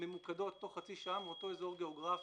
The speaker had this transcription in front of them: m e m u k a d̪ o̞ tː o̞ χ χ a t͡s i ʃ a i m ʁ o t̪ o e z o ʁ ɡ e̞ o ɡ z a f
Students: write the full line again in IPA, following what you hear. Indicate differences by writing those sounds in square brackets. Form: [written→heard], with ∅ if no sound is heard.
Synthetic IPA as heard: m e m u k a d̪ o̞ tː o̞ χ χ a t͡s i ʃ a [i→a] m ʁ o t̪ o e z o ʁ ɡ e̞ o ɡ [z→ʁ] a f